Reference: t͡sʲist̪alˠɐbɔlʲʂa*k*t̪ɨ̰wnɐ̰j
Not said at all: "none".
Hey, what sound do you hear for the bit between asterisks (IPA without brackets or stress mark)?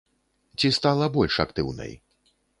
k